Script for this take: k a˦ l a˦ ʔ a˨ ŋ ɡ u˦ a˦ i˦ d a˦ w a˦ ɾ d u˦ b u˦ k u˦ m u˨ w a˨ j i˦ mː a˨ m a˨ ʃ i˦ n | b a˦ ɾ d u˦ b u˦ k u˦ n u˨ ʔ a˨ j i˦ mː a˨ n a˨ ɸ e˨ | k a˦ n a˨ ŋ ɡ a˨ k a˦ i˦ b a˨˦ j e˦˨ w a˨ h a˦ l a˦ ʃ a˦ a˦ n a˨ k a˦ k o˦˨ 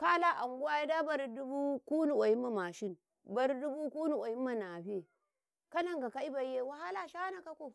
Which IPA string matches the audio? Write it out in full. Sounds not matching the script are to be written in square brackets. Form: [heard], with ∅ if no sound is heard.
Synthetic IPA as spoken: k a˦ l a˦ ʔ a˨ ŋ ɡ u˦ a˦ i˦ d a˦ [b] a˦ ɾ d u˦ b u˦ k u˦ [n] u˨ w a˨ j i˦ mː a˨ m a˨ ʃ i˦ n | b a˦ ɾ d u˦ b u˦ k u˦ n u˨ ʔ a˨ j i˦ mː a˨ n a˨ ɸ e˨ | k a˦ n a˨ ŋ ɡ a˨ k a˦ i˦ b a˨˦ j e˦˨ w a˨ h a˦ l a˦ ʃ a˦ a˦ n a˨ k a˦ k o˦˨

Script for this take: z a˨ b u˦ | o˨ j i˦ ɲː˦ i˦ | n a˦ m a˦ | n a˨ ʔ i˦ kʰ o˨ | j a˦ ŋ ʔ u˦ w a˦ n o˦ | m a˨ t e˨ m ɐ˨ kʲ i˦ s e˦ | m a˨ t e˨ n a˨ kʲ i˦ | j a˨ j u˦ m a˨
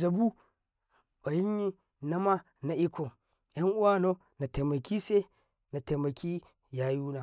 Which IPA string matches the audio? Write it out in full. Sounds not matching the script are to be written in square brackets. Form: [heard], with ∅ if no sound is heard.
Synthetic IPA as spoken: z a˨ b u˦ | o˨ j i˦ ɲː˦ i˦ | n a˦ m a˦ | n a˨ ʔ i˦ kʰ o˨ | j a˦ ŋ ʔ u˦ w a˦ n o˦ | [n] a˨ t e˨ m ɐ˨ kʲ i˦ s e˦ | [n] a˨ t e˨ [m] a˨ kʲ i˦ | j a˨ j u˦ [n] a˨

